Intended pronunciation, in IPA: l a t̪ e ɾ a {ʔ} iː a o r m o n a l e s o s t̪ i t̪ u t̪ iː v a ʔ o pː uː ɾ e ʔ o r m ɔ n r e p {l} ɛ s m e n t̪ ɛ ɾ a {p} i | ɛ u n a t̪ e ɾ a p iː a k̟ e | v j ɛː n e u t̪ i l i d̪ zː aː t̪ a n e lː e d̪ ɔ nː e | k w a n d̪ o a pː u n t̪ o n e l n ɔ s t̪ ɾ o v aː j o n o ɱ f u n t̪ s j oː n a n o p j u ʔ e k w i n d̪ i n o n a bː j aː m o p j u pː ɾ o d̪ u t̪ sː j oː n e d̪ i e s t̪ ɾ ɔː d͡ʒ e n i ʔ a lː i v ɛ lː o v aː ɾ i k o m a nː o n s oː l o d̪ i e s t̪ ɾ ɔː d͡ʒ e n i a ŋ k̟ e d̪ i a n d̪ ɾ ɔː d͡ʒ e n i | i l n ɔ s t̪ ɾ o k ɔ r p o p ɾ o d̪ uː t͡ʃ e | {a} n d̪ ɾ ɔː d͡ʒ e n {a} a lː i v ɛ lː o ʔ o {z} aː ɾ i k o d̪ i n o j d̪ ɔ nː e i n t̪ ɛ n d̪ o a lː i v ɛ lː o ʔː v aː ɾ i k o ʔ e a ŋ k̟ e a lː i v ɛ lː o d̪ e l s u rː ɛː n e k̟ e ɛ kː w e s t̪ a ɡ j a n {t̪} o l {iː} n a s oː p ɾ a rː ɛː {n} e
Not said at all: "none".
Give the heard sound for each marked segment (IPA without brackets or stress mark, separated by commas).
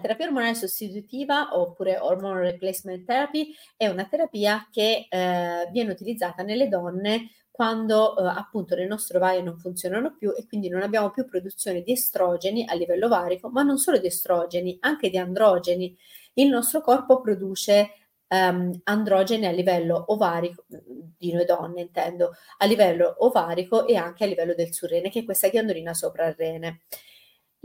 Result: p, l, p, a, i, v, d̪, iː, n